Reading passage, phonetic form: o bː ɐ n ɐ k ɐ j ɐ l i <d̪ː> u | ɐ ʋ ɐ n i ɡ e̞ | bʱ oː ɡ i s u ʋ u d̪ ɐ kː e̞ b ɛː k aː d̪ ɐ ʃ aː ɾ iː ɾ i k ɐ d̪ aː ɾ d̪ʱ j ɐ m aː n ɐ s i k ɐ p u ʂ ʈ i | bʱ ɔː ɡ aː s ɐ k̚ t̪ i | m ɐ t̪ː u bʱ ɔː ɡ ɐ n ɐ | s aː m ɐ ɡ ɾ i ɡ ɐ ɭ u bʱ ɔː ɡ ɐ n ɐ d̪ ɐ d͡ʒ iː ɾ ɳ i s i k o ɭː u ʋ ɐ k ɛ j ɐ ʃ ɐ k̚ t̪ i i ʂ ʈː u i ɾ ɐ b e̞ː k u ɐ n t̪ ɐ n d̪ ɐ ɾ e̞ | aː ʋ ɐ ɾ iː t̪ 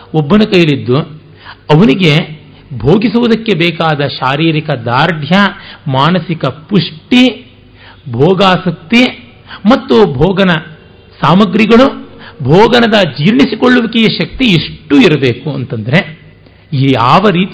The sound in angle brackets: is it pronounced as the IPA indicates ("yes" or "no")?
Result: yes